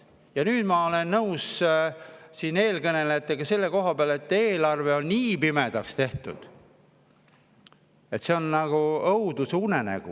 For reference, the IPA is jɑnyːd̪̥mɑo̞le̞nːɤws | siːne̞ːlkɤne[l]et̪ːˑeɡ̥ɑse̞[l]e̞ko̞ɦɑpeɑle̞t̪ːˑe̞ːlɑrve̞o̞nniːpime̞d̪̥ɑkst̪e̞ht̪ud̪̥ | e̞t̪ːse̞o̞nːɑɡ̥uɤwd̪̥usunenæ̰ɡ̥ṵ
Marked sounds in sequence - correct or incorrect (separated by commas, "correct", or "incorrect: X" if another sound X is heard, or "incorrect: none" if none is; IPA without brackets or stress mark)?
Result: correct, incorrect: lː